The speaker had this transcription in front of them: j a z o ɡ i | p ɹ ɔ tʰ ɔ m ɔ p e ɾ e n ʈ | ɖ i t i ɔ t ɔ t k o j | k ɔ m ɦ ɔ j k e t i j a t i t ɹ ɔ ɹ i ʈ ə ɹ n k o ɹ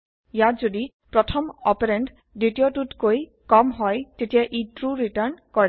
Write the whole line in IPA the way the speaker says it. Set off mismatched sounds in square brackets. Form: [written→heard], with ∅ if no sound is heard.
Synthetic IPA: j a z o [ɡ→d] i | p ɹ ɔ tʰ ɔ m ɔ p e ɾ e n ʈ | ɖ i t i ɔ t [ɔ→u] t k o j | k ɔ m ɦ ɔ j [k→t] e t i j a [t→ʔ] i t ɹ [ɔ→u] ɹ i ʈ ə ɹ n k [o→ɔ] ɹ